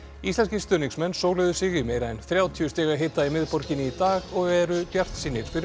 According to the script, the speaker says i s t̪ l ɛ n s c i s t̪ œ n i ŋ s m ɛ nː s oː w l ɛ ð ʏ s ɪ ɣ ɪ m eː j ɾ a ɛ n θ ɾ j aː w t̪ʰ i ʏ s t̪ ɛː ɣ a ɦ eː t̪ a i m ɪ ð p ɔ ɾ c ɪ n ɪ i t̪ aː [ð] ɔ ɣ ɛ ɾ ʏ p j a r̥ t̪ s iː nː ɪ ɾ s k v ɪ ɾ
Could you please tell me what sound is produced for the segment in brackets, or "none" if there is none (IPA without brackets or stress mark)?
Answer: ɣ